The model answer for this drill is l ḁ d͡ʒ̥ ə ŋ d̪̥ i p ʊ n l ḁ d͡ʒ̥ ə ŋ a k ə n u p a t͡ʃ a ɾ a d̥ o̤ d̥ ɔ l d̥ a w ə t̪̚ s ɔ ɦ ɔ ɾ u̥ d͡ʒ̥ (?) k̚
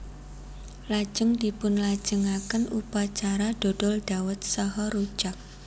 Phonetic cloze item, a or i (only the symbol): a